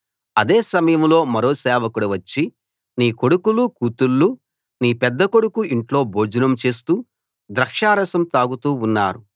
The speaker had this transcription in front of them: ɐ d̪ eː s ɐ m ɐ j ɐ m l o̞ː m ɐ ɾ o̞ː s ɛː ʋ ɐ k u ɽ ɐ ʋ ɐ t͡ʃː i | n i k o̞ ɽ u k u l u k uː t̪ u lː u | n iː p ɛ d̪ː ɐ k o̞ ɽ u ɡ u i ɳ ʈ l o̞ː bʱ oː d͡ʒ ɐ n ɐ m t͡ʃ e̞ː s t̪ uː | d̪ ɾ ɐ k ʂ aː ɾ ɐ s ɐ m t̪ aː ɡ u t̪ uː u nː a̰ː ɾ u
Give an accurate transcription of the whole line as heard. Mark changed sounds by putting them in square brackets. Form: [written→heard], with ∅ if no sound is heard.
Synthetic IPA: ɐ d̪ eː s ɐ m ɐ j ɐ m l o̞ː m ɐ ɾ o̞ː s ɛː ʋ ɐ k u ɽ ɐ ʋ ɐ t͡ʃː i | n [i→iː] k o̞ ɽ u k u l u k uː t̪ u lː u | n iː p ɛ d̪ː ɐ k o̞ ɽ u [ɡ→k] u i ɳ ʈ l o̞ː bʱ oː d͡ʒ ɐ n ɐ m t͡ʃ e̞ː s t̪ uː | d̪ ɾ ɐ k ʂ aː ɾ ɐ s ɐ m t̪ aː ɡ u t̪ uː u nː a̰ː ɾ u